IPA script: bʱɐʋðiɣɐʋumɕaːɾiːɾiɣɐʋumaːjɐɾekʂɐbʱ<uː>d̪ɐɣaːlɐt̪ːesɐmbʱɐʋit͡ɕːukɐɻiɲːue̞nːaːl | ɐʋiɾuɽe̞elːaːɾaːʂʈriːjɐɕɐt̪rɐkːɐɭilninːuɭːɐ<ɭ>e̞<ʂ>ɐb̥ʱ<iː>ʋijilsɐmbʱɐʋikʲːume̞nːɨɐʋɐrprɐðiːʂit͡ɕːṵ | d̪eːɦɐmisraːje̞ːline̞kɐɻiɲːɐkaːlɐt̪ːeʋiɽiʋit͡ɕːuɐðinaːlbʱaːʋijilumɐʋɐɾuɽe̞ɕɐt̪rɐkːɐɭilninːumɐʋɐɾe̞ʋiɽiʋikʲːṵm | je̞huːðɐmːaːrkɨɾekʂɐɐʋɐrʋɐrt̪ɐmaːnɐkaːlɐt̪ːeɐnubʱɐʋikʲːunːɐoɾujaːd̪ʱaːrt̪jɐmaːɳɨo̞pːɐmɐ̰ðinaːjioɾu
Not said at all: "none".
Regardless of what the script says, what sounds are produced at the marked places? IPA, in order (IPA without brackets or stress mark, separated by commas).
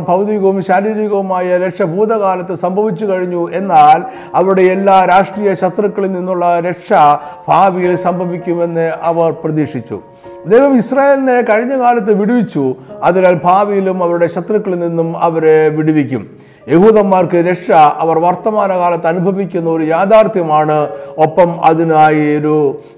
uː, ɾ, ʂ, aː